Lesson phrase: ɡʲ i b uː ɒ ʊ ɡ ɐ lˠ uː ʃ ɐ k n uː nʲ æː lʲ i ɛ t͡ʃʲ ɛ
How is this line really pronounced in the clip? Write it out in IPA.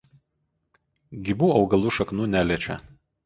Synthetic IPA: ɡʲ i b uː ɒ ʊ ɡ ɐ lˠ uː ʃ ɐ k n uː nʲ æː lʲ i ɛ t͡ʃʲ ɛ